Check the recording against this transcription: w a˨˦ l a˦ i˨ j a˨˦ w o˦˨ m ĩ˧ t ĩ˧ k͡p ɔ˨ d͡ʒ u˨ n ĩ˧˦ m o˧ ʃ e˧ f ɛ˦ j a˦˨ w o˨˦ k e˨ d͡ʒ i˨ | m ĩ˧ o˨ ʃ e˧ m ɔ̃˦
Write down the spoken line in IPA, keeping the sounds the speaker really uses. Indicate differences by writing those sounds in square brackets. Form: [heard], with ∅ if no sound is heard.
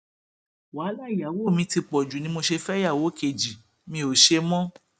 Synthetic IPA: w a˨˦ l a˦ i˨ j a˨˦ w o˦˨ m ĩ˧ t [i˧] k͡p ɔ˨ d͡ʒ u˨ n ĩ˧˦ m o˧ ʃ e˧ f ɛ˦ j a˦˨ w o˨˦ k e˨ d͡ʒ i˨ | m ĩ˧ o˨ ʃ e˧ m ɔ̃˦